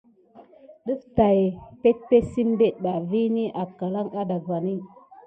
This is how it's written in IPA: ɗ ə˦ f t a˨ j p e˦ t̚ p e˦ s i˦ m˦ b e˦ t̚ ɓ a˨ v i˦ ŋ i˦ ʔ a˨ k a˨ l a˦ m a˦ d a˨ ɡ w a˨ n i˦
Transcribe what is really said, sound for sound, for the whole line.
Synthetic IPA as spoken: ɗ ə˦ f t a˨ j p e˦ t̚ p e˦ s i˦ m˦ b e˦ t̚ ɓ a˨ v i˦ n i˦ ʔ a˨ k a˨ l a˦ ŋ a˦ d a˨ ɡ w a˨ n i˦

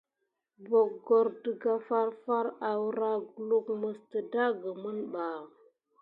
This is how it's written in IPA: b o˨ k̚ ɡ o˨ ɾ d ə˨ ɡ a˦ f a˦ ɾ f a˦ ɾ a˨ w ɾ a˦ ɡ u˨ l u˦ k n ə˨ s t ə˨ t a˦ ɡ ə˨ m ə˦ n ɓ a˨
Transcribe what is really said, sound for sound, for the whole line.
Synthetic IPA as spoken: b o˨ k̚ ɡ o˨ ɾ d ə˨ ɡ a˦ f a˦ ɾ f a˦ ɾ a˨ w ɾ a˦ ɡ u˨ l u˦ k m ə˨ s t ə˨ d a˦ ɡ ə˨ m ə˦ n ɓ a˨

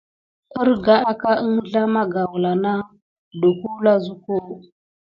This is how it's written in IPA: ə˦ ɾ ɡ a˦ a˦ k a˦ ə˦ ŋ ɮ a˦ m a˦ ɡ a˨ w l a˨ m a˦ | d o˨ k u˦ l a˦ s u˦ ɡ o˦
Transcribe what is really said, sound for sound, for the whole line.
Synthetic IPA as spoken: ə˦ ɾ ɡ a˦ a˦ k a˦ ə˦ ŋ ɮ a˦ m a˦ ɡ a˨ w l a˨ n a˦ | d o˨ k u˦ l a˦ z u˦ k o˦

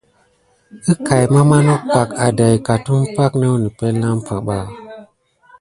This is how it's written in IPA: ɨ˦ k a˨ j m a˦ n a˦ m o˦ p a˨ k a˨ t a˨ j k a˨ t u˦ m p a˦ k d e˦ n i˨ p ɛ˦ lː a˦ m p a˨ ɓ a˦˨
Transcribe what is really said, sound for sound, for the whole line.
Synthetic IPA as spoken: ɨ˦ k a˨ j m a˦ m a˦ n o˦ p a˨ k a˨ d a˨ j k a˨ t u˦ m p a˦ k n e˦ n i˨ p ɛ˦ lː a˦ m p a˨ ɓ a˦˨

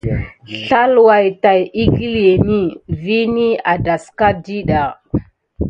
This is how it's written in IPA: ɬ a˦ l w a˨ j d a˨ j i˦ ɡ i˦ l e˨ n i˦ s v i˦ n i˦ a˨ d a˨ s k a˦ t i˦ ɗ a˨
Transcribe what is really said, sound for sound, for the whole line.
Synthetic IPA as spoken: ɬ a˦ l w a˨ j t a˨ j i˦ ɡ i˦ l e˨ n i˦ v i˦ n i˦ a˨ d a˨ s k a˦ d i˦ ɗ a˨

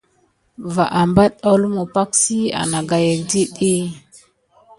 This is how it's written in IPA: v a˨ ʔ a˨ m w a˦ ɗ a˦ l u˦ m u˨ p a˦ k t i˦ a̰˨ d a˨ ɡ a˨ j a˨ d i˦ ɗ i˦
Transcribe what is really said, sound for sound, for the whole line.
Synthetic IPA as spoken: v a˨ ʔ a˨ m b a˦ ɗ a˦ l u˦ m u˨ p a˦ k s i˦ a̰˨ n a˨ ɡ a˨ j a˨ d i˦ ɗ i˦

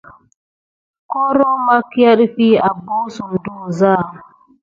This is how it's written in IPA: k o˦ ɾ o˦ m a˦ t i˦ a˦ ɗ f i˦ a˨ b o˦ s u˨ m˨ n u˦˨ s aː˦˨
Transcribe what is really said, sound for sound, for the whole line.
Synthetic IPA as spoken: k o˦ ɾ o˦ m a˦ k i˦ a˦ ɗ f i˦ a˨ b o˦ s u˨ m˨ d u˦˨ z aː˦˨

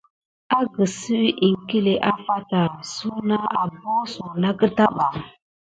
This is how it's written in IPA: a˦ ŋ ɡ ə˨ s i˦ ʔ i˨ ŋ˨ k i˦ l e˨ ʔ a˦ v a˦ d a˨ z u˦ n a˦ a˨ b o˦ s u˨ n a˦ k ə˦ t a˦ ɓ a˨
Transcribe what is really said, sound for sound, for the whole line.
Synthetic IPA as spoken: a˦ ɡ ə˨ s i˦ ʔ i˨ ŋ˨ k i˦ l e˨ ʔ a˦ f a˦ t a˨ s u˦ n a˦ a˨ b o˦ s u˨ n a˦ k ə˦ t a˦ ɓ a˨

